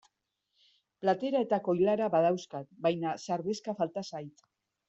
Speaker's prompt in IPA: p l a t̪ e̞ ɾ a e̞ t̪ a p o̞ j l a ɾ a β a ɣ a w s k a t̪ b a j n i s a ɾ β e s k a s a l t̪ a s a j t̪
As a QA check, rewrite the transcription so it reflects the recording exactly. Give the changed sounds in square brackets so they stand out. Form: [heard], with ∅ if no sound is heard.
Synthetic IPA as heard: p l a t̪ e̞ ɾ a e̞ t̪ a [k] o̞ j l a ɾ a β a [ð] a w s k a t̪ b a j n [a] s a ɾ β e s k a [f] a l t̪ a s a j t̪